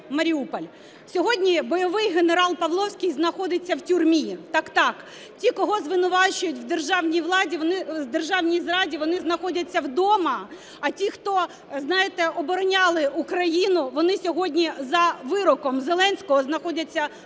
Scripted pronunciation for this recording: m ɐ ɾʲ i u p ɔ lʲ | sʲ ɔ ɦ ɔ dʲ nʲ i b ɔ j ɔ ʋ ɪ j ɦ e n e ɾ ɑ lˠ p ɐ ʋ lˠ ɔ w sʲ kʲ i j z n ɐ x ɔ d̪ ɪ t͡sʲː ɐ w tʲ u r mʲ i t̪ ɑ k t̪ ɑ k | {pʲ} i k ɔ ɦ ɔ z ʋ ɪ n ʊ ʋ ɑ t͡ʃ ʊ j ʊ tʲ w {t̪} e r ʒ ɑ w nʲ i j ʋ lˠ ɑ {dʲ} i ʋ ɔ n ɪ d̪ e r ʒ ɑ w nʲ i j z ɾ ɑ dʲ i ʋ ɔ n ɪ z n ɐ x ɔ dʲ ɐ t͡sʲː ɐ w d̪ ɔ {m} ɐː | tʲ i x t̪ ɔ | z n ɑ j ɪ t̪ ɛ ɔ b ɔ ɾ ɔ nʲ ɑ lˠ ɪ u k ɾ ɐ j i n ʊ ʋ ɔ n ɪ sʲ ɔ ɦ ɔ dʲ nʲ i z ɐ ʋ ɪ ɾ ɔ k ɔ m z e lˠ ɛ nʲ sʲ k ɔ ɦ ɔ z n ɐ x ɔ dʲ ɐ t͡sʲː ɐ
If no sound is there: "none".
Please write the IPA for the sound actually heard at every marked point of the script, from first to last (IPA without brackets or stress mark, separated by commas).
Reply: tʲ, d̪, dʲ, m